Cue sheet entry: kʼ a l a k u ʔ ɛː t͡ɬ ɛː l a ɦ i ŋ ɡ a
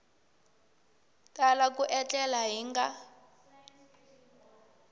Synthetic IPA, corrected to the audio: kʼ a l a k u ʔ ɛ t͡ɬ ɛ l a ɦ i ŋ ɡ a